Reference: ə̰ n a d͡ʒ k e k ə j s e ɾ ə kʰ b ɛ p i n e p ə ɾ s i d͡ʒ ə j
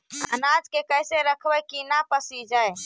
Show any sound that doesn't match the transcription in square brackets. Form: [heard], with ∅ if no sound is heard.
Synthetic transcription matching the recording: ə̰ n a d͡ʒ k e k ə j s e ɾ ə kʰ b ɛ [k] i n [a] p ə [∅] s i d͡ʒ [a] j